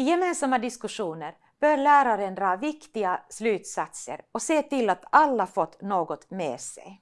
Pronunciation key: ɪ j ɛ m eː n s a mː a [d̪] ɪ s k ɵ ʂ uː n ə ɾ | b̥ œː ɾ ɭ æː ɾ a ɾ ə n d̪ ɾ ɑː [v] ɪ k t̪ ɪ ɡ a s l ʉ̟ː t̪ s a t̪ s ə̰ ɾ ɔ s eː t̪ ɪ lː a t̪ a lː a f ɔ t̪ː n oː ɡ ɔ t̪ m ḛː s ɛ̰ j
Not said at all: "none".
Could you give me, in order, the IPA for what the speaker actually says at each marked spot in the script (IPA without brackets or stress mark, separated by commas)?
d̪, v